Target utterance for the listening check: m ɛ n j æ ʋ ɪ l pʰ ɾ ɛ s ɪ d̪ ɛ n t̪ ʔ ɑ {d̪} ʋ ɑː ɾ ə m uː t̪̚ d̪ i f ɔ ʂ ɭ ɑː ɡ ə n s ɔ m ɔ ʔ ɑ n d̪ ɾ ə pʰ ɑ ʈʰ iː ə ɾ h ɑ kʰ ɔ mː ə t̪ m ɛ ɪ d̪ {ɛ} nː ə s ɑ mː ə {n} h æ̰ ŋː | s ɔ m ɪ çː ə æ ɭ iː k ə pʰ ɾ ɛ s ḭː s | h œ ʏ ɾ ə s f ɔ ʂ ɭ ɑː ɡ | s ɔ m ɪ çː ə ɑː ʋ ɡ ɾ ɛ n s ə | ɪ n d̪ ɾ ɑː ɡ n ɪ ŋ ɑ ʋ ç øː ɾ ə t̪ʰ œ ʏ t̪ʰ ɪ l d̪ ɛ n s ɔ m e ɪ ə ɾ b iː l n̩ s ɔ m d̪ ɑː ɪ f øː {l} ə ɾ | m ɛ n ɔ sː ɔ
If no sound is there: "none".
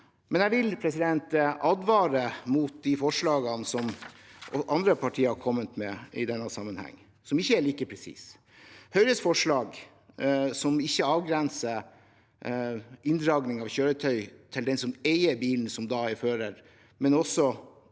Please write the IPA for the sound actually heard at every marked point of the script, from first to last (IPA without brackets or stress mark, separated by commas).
d̪, ɛ, n, ɾ